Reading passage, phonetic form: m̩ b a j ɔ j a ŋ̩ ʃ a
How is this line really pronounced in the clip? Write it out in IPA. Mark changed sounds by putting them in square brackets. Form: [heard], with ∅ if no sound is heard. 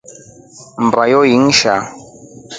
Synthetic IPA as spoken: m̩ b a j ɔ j [i] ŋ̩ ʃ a